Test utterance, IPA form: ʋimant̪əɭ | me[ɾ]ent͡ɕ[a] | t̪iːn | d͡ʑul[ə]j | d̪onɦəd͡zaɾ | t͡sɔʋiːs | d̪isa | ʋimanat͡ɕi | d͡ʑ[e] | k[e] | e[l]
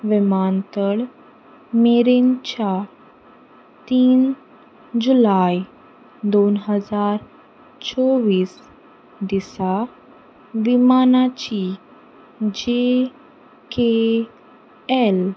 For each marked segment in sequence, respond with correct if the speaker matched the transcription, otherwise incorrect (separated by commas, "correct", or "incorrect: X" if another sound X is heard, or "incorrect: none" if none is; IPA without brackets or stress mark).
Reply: correct, correct, incorrect: a, correct, correct, correct